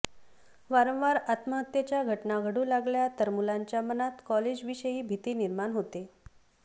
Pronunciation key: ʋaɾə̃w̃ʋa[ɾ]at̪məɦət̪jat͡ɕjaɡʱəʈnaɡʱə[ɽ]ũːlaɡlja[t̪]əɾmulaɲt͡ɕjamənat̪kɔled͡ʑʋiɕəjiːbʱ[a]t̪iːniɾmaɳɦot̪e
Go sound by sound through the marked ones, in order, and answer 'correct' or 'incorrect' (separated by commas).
correct, correct, correct, incorrect